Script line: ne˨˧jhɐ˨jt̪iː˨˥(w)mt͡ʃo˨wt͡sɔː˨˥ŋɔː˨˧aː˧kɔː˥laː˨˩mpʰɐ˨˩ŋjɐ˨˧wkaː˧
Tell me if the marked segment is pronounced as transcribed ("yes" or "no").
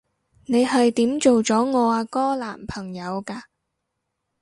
no